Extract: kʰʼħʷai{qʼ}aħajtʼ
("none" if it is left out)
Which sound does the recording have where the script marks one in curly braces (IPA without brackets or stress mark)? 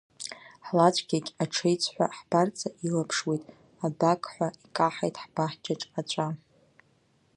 kʼ